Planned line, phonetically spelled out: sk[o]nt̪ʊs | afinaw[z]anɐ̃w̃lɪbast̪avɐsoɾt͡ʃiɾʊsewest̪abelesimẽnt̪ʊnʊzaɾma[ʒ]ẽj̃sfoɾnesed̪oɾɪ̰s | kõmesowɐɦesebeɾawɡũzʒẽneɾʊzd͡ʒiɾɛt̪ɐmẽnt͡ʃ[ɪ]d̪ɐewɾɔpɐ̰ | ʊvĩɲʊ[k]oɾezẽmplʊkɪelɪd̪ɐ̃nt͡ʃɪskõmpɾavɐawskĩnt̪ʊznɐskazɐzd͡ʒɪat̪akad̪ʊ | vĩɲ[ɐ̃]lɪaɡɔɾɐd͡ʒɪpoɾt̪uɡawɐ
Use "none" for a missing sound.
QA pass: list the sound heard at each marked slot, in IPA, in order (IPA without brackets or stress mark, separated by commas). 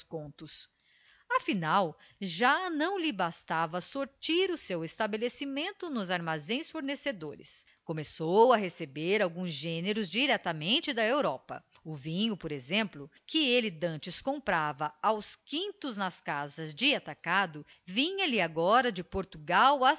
õ, ʒ, z, ɪ, p, ɐ